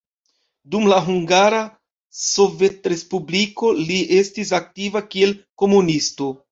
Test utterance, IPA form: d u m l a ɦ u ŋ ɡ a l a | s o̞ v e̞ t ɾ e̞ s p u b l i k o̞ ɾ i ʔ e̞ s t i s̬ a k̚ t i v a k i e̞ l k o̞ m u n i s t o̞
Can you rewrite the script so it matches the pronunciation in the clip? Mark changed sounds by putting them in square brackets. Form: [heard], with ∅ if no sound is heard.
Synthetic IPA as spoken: d u m l a ɦ u ŋ ɡ a [ɾ] a | s o̞ v e̞ t ɾ e̞ s p u b l i k o̞ [l] i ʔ e̞ s t i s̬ a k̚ t i v a k i e̞ l k o̞ m u n i s t o̞